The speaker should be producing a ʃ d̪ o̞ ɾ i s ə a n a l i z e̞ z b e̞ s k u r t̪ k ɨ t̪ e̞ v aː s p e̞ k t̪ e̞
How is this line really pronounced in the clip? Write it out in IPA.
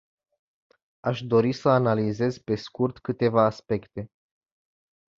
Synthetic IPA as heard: a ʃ d̪ o̞ ɾ i s ə a n a l i z e̞ z p e̞ s k u r t̪ k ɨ t̪ e̞ v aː s p e̞ k t̪ e̞